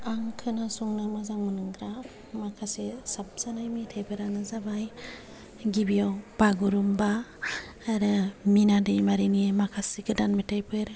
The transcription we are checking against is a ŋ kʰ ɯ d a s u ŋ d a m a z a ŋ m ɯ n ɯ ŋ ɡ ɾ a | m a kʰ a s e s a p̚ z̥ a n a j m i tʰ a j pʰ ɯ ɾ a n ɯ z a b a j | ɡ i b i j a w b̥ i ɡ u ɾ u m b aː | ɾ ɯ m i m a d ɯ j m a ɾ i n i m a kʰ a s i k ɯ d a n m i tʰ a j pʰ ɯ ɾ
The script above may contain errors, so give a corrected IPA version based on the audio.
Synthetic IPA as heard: a ŋ kʰ ɯ n a s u ŋ n a m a z a ŋ m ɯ n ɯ ŋ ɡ ɾ a | m a kʰ a s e s a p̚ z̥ a n a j m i tʰ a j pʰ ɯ ɾ a n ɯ z a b a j | ɡ i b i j a w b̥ a ɡ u ɾ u m b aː | ɾ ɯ m i n a d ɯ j m a ɾ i n i m a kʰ a s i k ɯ d a n m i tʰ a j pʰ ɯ ɾ